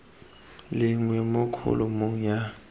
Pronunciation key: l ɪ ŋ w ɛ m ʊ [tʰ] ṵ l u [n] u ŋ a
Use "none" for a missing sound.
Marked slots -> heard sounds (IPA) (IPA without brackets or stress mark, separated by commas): kʰ, m